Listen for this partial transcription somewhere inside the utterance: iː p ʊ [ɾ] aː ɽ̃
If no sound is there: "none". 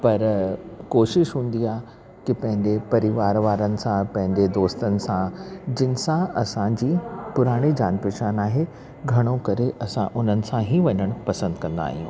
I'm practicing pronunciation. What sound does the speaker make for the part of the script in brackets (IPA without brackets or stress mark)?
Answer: ɾ